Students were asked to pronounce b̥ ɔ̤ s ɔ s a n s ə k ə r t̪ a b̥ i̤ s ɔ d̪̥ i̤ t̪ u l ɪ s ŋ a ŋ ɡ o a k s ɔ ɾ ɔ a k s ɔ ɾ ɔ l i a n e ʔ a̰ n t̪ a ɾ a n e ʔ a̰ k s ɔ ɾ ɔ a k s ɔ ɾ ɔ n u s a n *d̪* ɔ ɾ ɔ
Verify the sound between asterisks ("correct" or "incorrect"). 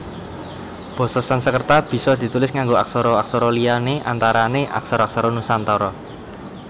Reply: incorrect